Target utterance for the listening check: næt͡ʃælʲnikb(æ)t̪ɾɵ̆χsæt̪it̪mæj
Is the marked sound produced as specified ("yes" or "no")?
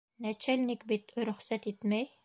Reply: no